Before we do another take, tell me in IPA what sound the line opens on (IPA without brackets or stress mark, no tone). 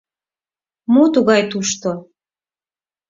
m